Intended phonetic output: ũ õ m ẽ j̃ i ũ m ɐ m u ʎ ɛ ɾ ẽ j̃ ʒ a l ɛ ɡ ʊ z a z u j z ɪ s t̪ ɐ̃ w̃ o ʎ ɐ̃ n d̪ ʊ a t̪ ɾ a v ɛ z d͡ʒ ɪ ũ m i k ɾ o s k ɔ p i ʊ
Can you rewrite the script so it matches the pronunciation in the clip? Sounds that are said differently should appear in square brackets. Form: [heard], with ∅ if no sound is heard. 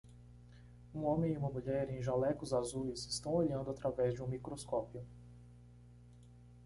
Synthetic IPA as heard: ũ õ m ẽ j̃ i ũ m ɐ m u ʎ ɛ ɾ ẽ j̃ ʒ a l ɛ [k] ʊ z a z u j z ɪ s t̪ ɐ̃ w̃ o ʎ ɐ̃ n d̪ ʊ a t̪ ɾ a v ɛ z d͡ʒ ɪ ũ m i k ɾ o s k ɔ p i ʊ